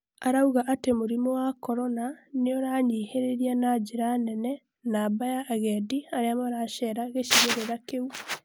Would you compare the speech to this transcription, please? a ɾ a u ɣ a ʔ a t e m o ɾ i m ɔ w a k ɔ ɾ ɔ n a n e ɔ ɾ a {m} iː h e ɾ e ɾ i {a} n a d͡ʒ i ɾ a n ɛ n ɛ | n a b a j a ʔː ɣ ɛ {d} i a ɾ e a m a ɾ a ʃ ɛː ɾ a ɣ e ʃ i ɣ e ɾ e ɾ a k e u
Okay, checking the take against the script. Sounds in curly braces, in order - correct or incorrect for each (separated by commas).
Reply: incorrect, correct, correct